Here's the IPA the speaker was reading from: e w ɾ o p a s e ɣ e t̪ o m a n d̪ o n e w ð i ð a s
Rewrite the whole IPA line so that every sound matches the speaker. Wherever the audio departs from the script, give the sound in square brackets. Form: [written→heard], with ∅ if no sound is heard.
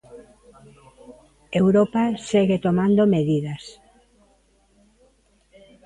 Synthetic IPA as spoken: e w ɾ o p a s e ɣ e t̪ o m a n d̪ o [n→m] e [w→∅] ð i ð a s